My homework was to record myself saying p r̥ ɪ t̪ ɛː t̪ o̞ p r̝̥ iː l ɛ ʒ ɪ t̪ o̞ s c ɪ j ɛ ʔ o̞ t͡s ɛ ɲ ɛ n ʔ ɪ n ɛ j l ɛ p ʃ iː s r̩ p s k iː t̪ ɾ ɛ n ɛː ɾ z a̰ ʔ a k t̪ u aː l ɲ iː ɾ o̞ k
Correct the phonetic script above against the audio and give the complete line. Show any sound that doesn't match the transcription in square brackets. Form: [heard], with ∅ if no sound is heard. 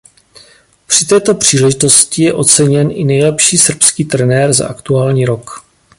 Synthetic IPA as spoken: p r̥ ɪ t̪ ɛː t̪ o̞ p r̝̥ iː l ɛ ʒ ɪ t̪ o̞ s c ɪ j ɛ ʔ o̞ t͡s ɛ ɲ ɛ n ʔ ɪ n ɛ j l ɛ p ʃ iː s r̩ p s k iː t̪ ɾ ɛ n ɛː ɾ z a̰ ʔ a k t̪ u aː l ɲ iː ɾ o̞ k